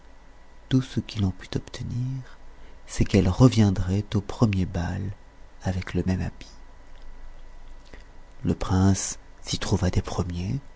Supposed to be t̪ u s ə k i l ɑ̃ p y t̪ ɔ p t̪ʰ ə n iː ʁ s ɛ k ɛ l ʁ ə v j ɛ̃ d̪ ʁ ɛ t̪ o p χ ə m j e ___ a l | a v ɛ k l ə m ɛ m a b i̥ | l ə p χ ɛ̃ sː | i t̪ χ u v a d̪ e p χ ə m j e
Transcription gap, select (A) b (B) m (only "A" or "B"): A